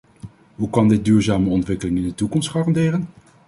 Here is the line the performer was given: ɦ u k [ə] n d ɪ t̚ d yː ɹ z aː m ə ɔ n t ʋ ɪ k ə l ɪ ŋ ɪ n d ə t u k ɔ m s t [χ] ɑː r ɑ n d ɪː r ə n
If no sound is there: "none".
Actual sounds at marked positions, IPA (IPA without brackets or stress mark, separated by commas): ɑ, χ